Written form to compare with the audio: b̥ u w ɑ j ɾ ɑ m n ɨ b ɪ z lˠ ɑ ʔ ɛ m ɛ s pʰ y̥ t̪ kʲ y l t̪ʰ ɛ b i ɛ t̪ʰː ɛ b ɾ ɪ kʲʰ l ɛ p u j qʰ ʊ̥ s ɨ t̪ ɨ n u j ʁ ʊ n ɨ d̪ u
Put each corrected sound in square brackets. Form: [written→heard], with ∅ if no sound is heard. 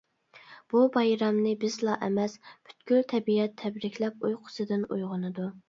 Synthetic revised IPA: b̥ u [w→b] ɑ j ɾ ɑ m n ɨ b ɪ z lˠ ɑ ʔ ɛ m ɛ s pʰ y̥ t̪ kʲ y l t̪ʰ ɛ b i ɛ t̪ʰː ɛ b ɾ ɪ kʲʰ l ɛ p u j qʰ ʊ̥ s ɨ [t̪→d̪] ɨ n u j ʁ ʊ n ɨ d̪ u